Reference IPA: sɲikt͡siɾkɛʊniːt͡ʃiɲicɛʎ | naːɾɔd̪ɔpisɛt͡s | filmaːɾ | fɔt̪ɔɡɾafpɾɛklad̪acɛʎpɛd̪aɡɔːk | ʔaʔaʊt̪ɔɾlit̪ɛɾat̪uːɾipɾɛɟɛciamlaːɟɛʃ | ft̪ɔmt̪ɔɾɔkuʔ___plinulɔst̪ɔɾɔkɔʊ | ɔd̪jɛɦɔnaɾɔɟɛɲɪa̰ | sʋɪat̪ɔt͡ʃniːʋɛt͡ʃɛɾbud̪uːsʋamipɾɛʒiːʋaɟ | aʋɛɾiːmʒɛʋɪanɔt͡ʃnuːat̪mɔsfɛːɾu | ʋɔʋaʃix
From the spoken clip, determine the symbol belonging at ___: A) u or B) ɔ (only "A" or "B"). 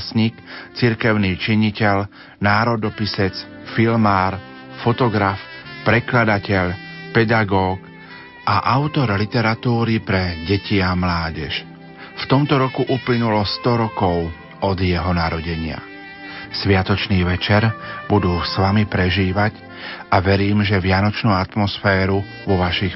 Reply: A